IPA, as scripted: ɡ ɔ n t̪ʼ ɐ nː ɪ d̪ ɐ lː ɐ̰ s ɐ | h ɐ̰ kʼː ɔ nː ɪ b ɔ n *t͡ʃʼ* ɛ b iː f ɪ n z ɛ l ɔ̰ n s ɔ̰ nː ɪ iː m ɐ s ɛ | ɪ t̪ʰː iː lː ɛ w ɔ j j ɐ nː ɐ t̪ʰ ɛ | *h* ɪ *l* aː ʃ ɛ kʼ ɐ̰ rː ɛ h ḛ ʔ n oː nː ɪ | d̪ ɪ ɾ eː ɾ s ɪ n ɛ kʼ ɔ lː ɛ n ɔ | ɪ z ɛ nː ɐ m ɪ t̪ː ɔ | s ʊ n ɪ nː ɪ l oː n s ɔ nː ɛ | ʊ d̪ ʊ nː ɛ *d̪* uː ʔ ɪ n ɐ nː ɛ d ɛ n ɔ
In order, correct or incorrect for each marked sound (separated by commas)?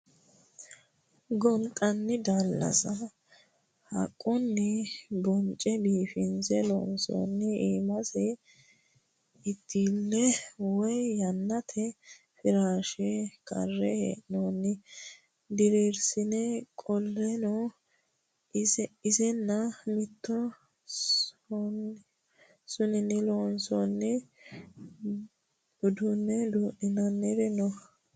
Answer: correct, incorrect, incorrect, correct